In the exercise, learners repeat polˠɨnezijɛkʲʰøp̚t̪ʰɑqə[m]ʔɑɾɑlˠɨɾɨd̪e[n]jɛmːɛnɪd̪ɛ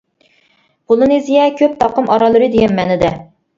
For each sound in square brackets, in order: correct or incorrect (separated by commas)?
correct, incorrect